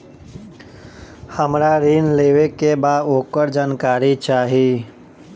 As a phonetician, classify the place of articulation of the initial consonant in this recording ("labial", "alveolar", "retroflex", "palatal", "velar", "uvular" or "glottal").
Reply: glottal